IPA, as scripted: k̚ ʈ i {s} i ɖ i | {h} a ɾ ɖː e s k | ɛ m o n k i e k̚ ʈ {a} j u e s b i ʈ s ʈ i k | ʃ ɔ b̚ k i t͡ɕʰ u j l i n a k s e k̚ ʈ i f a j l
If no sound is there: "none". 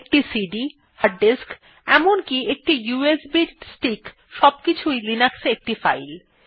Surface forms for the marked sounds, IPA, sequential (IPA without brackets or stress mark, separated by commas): s, h, i